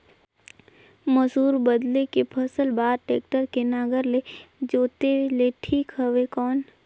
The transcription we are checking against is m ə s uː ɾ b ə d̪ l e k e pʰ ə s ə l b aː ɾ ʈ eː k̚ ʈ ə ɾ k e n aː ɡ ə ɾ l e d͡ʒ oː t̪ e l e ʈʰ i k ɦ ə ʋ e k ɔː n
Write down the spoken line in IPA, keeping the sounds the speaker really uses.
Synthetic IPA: m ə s uː ɾ b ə d̪ l e k e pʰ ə s ə l b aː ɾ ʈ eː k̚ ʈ ə ɾ k e n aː ɡ ə ɾ l e d͡ʒ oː t̪ e l e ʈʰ iː k ɦ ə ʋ e k ɔː n